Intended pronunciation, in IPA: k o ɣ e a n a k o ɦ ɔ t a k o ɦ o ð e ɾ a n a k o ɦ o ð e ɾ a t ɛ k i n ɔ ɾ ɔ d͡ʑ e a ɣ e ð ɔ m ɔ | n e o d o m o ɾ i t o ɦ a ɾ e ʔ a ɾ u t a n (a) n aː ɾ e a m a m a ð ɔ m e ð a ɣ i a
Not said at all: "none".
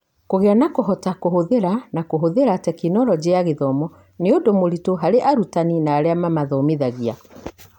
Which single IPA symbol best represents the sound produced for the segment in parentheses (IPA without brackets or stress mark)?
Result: i